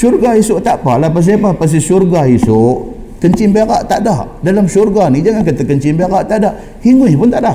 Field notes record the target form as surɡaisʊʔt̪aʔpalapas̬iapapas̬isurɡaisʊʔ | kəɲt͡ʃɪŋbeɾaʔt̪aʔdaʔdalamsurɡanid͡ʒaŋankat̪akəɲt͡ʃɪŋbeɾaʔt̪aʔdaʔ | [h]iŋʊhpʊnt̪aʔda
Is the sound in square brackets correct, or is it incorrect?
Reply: correct